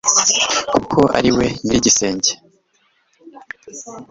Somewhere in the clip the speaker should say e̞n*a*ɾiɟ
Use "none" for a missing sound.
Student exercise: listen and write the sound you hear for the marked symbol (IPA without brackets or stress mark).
i